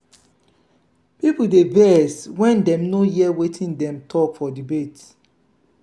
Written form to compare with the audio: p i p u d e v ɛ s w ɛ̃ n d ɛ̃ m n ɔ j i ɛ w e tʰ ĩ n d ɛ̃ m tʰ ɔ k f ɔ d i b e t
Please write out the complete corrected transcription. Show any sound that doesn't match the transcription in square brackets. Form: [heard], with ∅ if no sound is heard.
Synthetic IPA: p i p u d e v ɛ s w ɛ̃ n d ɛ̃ m n [o] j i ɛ w e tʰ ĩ n d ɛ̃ m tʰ ɔ k f ɔ d i b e t